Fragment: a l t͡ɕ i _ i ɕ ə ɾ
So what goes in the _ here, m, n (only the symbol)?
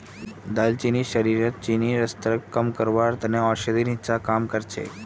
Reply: n